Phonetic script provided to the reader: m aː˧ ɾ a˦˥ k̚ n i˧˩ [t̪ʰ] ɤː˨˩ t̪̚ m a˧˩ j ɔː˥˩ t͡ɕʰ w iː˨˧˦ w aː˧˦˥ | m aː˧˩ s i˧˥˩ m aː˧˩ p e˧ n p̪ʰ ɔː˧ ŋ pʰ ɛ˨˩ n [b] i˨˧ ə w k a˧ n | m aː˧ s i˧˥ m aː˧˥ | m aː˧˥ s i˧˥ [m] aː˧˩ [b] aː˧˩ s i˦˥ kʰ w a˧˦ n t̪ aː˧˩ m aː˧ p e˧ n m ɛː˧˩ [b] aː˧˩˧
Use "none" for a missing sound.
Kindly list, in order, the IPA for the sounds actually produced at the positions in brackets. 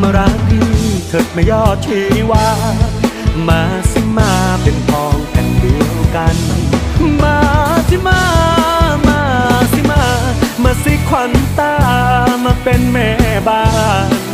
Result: t̪ʰ, d, m, m, b

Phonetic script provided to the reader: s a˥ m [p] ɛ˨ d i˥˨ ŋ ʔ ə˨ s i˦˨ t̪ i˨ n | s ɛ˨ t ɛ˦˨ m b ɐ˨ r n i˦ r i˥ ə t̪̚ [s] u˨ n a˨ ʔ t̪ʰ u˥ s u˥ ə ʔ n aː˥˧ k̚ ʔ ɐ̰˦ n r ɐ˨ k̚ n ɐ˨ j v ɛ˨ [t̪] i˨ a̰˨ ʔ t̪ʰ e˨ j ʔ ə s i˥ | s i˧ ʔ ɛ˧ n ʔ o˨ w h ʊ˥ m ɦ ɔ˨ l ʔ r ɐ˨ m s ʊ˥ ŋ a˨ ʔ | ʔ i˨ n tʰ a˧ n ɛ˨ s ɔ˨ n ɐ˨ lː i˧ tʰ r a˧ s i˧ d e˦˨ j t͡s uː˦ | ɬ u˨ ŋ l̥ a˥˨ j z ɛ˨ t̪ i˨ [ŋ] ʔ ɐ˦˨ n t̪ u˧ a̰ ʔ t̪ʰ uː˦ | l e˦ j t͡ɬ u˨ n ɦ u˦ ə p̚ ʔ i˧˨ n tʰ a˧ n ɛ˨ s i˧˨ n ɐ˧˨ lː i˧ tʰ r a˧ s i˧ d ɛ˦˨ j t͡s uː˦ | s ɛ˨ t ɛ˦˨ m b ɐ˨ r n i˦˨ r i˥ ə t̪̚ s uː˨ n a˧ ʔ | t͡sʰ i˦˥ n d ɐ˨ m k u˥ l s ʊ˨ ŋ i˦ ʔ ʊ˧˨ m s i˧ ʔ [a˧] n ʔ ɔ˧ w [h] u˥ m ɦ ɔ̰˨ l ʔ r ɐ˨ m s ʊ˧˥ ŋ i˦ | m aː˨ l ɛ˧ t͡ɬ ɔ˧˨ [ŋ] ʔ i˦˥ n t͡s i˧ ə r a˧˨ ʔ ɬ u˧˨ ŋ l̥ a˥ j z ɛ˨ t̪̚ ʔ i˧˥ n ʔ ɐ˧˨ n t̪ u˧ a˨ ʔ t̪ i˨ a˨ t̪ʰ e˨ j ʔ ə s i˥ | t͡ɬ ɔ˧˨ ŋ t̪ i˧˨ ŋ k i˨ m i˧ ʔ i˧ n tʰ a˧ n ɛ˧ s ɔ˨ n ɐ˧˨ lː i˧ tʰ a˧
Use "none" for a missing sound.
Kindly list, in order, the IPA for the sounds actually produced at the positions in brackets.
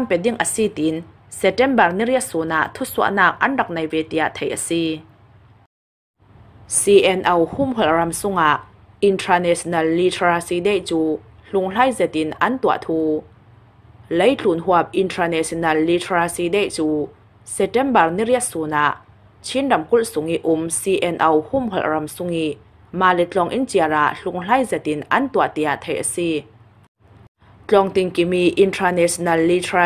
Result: p, s, t̪, n, ɛ˧, h, ŋ

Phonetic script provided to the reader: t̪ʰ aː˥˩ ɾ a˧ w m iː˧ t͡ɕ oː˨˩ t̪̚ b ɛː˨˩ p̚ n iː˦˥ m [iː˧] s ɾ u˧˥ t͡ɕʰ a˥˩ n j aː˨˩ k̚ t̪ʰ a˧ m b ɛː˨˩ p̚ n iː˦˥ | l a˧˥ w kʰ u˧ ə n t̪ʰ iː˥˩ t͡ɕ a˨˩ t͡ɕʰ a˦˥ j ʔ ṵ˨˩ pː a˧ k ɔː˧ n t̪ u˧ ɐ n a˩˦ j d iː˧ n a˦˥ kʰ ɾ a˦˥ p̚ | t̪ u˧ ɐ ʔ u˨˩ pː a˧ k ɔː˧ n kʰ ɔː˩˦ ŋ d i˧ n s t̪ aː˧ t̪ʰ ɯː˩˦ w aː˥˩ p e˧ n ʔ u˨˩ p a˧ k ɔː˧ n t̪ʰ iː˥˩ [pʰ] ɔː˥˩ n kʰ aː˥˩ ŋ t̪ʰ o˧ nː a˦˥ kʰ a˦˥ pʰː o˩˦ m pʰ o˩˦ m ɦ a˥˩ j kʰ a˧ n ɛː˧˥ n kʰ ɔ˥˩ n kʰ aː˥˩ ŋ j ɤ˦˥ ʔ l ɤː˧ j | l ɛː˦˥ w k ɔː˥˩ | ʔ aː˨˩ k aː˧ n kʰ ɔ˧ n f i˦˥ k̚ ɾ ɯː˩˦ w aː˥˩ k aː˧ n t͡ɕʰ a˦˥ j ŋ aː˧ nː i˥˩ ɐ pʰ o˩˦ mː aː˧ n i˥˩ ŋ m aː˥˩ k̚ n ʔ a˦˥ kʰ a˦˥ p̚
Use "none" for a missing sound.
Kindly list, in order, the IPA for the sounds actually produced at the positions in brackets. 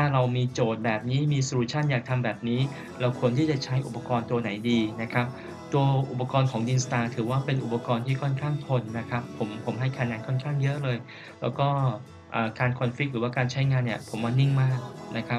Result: iː˧, kʰ

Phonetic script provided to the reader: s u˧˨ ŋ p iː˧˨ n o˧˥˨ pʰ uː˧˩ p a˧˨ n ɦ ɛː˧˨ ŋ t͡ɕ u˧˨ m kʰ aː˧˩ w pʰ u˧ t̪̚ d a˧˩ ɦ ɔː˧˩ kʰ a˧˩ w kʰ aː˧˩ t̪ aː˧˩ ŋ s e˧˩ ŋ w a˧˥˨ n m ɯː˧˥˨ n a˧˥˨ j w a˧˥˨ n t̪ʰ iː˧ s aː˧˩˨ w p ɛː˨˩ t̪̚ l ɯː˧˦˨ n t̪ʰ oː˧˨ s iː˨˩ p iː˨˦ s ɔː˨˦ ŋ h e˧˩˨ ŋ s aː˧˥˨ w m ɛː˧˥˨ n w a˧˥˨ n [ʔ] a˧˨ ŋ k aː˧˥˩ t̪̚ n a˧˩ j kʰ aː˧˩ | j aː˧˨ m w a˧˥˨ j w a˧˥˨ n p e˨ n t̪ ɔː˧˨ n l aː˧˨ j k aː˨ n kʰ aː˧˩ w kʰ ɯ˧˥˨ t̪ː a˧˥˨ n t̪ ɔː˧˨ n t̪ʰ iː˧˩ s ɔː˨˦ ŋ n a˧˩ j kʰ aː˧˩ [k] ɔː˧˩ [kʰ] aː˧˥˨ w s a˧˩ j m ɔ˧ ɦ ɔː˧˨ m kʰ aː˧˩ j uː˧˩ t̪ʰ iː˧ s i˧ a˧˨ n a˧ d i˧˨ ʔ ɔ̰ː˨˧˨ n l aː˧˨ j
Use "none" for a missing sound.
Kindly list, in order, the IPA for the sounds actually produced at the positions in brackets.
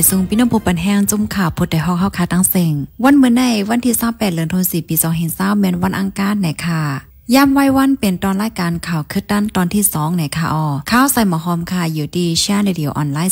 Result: ʔ, ʔ, kʰ

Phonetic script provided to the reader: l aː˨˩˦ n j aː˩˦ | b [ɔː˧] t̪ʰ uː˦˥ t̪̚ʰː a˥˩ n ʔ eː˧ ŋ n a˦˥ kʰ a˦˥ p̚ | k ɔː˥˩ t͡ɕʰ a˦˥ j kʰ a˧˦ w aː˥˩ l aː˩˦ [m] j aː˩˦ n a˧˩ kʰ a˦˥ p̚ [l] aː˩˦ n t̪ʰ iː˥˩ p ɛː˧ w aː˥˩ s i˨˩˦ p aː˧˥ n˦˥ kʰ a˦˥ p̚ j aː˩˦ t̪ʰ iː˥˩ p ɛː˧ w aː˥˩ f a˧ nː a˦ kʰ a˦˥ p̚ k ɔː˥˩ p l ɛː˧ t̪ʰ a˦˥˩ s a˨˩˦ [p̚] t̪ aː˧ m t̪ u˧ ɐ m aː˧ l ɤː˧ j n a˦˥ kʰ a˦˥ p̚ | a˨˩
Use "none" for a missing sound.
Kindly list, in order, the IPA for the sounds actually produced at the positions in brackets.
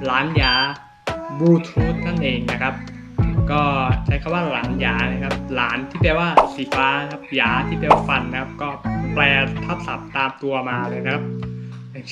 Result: uː˧, n, l, p̚

